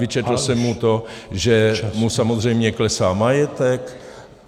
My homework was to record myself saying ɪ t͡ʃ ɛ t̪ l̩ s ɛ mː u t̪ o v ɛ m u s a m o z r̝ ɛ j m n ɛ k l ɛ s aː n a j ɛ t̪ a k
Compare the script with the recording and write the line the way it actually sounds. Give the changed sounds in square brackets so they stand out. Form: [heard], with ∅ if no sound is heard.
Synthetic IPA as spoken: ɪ t͡ʃ ɛ t̪ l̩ s ɛ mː u t̪ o [ʒ] ɛ m u s a m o z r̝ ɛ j m [ɲ] ɛ k l ɛ s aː [m] a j ɛ t̪ [ɛ] k